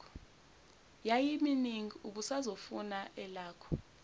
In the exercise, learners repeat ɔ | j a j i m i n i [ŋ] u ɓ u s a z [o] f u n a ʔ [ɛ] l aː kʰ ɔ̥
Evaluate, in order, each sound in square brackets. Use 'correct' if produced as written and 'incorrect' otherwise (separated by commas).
correct, correct, correct